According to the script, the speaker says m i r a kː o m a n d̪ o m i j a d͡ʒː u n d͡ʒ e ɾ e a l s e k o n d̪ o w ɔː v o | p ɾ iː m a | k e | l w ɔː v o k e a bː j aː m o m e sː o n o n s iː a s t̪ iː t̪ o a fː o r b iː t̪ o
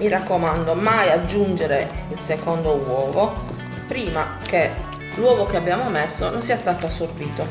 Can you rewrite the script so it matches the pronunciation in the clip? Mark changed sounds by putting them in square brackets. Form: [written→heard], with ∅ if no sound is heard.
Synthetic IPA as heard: m i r a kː o m a n d̪ o m [i→a] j a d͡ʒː u n d͡ʒ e ɾ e [a→i] l s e k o n d̪ o w ɔː v o | p ɾ iː m a | k e | l w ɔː v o k e a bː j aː m o m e sː o n o n s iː a s t̪ [iː→aː] t̪ o a [fː→sː] o r b iː t̪ o